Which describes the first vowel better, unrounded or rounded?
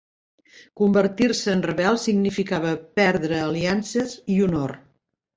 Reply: rounded